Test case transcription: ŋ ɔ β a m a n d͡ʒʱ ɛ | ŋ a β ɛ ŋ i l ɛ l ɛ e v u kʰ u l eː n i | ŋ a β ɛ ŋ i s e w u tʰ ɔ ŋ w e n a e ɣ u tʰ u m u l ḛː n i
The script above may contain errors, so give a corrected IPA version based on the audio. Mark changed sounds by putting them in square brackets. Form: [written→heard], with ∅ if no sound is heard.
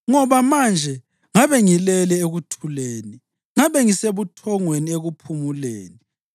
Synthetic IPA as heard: ŋ ɔ β a m a n d͡ʒʱ ɛ | ŋ a β ɛ ŋ i l ɛ l ɛ e [v→ɣ] u [kʰ→tʰ] u l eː n i | ŋ a β ɛ ŋ i s e [w→β] u tʰ ɔ ŋ w e n [a→i] e ɣ u [tʰ→pʰ] u m u l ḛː n i